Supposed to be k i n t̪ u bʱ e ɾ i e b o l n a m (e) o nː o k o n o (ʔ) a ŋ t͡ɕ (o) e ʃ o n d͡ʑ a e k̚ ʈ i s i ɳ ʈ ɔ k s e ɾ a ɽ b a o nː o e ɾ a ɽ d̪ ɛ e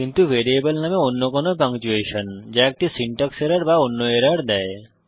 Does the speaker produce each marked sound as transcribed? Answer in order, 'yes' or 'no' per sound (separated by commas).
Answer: yes, no, no